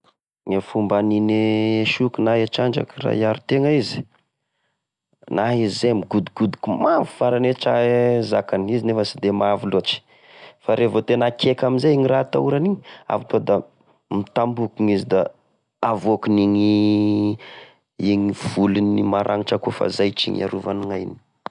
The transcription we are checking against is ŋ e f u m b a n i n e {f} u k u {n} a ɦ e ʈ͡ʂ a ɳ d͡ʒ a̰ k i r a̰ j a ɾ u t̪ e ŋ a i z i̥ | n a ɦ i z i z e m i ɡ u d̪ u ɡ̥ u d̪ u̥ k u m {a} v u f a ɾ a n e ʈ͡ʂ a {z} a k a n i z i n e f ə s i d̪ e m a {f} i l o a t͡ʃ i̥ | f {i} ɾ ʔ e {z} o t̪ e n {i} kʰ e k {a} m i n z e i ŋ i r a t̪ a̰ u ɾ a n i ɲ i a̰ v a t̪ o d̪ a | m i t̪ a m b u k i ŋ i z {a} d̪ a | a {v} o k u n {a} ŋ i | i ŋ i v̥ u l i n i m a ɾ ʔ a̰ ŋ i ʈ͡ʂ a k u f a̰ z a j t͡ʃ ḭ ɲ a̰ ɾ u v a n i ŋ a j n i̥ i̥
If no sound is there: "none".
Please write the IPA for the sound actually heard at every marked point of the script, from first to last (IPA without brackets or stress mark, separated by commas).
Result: ʃ, n, a, z, v, a, v, a, a, i, v, i